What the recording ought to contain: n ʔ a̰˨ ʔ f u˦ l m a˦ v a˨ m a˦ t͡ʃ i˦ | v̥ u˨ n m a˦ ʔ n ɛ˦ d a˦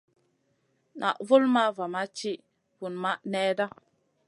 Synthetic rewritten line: n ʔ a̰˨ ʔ v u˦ l m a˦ v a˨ m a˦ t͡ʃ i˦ | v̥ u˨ n m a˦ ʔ n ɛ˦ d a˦